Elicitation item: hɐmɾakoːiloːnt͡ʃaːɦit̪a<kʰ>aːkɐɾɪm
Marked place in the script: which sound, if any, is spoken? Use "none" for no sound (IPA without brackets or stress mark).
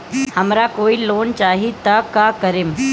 k